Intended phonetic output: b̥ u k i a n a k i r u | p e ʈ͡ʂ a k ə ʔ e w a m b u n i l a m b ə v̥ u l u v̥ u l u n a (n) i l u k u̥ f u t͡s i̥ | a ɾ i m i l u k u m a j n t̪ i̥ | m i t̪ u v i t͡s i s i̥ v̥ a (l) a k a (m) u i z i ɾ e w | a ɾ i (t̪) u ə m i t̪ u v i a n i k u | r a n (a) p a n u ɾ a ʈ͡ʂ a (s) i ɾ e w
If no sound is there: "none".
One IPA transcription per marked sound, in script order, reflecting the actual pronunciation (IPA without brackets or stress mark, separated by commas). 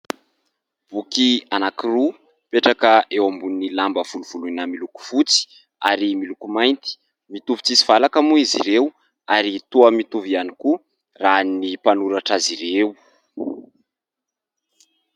m, l, m, t̪, i, z